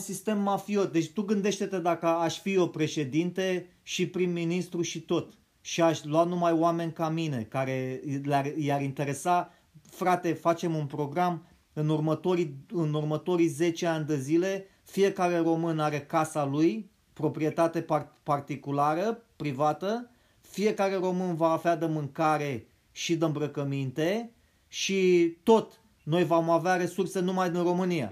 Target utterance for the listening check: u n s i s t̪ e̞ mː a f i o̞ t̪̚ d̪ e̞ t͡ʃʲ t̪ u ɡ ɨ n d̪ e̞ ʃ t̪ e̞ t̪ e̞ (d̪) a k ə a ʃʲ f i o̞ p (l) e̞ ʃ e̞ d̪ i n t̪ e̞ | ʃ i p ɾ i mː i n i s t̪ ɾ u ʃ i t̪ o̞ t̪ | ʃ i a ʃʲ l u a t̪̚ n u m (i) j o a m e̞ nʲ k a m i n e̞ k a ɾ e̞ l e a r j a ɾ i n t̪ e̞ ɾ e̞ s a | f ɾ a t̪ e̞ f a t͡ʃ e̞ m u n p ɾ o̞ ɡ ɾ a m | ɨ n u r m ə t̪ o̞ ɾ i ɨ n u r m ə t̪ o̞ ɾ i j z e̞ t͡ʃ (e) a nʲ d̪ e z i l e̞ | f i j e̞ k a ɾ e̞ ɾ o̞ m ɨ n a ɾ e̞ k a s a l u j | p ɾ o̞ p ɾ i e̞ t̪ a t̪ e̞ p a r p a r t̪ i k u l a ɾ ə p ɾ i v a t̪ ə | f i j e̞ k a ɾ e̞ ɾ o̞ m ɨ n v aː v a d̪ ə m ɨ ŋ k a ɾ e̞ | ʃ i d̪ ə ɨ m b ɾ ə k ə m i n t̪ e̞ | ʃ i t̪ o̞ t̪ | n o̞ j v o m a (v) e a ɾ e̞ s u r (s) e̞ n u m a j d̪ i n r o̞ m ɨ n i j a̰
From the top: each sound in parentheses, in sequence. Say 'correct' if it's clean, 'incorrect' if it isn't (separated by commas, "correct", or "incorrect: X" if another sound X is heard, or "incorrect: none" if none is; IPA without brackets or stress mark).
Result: correct, incorrect: ɾ, incorrect: a, correct, correct, correct